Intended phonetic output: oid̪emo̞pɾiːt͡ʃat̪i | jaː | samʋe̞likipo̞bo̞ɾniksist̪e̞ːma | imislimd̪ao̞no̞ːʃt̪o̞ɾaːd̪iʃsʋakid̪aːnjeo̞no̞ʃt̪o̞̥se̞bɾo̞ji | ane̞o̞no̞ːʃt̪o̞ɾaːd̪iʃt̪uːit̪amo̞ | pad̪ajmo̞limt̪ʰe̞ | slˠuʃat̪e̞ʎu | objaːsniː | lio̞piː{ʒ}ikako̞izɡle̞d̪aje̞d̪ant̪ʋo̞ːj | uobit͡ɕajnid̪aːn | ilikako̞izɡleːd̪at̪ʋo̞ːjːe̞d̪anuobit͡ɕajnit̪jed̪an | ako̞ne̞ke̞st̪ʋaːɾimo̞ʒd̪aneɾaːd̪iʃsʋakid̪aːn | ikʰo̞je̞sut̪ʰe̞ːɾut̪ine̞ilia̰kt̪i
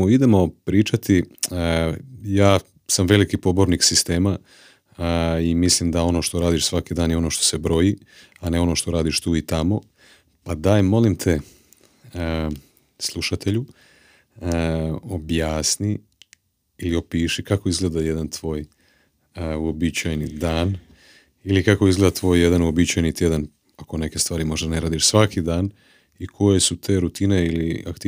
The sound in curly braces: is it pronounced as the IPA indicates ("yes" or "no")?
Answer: no